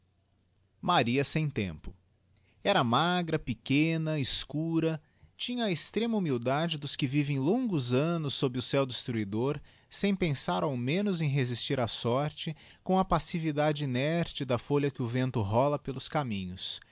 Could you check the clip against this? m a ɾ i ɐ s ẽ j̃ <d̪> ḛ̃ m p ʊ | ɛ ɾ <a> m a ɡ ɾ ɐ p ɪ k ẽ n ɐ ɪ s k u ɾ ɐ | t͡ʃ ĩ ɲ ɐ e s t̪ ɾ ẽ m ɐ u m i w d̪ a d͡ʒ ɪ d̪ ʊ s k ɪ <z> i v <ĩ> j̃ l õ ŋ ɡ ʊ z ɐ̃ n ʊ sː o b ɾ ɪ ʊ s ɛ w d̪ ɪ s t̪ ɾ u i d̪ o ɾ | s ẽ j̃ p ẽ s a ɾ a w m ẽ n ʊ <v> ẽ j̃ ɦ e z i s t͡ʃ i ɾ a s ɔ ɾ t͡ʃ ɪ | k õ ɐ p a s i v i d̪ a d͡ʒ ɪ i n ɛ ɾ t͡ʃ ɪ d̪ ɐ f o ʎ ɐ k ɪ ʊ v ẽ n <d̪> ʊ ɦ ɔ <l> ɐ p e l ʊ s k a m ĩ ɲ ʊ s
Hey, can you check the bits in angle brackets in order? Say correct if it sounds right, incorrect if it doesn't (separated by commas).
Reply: incorrect, incorrect, incorrect, incorrect, incorrect, incorrect, correct